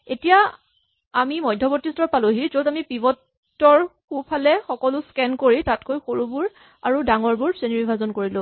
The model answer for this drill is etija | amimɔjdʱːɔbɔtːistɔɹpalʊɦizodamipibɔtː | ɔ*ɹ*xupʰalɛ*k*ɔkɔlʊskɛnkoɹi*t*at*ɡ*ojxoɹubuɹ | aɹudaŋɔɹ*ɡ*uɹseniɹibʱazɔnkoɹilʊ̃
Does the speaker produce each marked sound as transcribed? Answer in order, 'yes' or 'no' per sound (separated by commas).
yes, no, yes, no, no